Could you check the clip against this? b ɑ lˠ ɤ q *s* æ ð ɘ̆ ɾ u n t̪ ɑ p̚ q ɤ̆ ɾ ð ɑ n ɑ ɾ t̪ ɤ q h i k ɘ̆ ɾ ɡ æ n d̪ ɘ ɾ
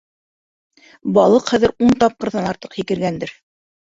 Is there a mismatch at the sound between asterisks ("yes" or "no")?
yes